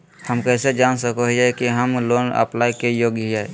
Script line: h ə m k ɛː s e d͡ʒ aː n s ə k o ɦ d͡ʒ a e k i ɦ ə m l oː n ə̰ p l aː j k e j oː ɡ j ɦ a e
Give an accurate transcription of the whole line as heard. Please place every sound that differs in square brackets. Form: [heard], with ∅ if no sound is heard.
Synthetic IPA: h ə m k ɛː s e d͡ʒ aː n s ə k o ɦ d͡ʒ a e k i ɦ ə m l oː n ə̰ p l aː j k e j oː ɡ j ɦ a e